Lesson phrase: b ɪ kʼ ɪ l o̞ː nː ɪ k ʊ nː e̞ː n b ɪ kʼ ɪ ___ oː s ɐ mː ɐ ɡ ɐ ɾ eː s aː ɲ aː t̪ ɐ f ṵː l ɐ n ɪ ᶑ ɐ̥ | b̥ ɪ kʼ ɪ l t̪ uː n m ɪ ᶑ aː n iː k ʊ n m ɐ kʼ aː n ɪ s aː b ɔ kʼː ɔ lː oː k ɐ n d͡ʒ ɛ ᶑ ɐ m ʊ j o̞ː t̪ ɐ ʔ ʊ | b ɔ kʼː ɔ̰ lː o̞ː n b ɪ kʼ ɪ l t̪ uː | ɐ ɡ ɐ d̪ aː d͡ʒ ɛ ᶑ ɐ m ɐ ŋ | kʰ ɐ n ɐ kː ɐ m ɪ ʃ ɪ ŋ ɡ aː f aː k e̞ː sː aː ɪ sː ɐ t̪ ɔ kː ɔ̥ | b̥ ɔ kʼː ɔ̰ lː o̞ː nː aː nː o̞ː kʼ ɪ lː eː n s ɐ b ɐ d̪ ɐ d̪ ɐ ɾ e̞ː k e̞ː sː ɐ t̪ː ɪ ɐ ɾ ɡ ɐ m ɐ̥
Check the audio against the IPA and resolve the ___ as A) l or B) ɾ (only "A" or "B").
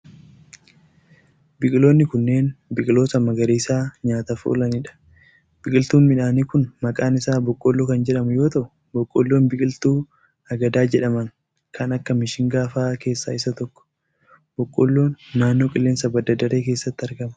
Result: A